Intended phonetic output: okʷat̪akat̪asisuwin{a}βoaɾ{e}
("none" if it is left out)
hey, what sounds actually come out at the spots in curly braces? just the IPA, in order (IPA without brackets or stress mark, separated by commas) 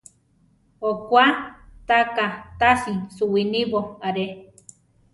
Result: i, e